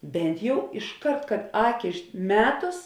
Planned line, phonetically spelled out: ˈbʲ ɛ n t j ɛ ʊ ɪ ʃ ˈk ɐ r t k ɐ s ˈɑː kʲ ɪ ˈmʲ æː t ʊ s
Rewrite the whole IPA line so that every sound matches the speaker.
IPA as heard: ˈbʲ ɛ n t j ɛ ʊ ɪ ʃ ˈk ɐ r t k ɐ t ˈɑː kʲ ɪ ˈmʲ æː t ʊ s